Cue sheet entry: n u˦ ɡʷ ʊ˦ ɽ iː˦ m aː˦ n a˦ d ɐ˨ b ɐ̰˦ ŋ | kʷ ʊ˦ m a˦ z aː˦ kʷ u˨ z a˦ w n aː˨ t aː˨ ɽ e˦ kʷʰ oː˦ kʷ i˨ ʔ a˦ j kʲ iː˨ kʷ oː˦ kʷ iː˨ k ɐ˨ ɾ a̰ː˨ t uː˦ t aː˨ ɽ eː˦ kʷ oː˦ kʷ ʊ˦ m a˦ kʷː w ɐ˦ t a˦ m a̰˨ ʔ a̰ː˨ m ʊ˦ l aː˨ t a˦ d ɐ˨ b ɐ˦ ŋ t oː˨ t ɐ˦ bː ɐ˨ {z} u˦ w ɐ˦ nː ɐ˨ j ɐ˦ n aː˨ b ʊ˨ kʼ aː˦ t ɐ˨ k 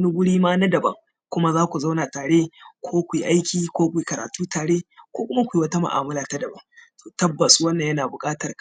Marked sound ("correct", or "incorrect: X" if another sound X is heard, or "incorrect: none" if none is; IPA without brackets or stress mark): incorrect: s